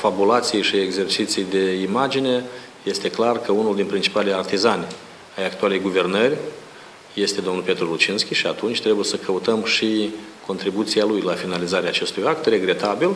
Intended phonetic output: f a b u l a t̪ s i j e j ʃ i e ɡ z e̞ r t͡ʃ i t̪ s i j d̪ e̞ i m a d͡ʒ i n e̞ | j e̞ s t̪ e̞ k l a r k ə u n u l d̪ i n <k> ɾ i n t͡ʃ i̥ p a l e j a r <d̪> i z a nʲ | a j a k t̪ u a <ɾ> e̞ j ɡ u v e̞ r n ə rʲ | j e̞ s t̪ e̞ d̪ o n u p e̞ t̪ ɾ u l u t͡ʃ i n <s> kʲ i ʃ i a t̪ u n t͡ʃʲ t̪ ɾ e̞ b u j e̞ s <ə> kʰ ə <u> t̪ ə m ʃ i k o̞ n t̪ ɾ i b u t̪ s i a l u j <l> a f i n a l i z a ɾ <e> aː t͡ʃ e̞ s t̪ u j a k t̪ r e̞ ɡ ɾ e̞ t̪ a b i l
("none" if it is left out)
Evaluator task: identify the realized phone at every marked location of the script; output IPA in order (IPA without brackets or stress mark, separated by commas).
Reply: p, t̪, l, s, ə, u, l, e